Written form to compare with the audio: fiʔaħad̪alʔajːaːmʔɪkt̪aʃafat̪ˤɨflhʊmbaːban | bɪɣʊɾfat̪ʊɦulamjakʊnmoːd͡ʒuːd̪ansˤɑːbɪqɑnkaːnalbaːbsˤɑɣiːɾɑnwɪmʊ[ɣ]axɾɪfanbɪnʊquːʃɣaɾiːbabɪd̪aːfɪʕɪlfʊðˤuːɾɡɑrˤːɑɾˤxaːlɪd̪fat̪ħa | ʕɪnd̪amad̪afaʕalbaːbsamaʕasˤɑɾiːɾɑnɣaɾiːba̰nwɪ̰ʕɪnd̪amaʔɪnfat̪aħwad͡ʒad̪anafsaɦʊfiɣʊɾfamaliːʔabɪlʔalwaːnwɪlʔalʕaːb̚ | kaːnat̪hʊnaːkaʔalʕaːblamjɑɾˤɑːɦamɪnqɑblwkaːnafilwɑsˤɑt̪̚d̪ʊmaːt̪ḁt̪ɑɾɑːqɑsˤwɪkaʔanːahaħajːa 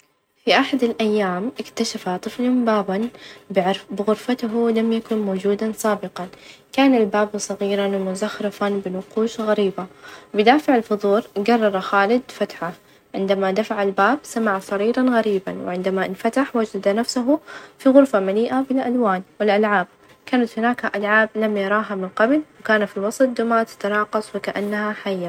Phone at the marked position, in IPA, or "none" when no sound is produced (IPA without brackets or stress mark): z